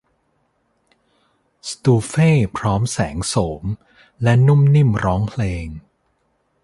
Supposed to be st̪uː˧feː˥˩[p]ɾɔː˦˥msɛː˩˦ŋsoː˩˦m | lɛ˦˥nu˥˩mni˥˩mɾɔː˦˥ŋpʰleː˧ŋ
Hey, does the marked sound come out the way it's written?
no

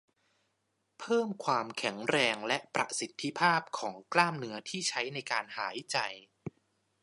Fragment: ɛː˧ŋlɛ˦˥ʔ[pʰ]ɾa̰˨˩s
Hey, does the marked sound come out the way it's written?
no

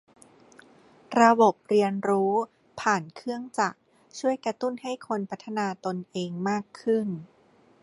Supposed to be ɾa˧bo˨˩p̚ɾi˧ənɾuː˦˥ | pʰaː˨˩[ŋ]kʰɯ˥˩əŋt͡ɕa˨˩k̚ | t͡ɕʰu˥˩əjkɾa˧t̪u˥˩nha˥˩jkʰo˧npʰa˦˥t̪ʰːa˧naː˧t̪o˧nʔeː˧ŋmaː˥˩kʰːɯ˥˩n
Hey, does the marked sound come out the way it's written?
no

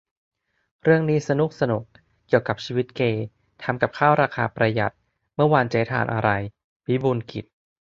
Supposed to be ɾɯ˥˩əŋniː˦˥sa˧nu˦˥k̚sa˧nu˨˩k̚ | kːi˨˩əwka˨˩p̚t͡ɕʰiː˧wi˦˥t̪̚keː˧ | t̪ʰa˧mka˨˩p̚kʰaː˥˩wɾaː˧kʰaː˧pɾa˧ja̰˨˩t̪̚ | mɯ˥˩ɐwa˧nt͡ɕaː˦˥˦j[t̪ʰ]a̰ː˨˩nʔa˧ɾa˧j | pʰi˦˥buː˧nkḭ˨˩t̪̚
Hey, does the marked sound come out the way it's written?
yes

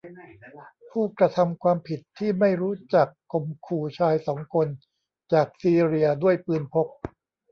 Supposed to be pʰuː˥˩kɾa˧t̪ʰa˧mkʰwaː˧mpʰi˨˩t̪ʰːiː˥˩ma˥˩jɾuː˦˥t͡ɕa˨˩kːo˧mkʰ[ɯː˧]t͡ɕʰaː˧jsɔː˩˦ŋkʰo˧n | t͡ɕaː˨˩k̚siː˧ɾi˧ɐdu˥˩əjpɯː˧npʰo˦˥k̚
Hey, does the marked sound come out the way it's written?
no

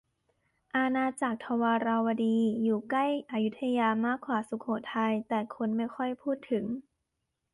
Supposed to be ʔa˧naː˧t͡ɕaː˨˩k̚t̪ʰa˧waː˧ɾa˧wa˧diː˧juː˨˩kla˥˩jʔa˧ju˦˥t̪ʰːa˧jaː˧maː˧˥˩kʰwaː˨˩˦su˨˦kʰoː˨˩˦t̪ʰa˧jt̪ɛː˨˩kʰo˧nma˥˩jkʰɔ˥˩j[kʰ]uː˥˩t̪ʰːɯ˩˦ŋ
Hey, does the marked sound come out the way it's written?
no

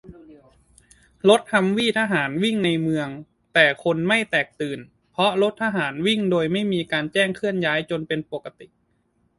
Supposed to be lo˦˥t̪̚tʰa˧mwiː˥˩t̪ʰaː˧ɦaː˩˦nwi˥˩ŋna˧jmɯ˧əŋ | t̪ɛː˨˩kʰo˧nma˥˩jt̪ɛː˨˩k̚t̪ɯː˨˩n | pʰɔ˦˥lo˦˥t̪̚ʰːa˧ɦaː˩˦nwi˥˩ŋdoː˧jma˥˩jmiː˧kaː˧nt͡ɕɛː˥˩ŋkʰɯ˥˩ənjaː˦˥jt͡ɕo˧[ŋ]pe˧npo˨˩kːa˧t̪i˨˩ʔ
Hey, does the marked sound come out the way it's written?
no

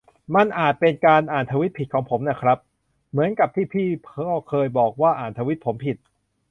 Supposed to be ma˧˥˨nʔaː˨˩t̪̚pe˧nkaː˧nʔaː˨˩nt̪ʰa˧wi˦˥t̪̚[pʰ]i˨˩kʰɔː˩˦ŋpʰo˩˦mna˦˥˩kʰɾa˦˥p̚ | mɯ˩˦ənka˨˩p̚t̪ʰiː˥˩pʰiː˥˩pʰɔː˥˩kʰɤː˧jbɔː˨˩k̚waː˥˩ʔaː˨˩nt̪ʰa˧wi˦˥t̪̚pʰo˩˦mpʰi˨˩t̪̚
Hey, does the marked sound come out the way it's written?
yes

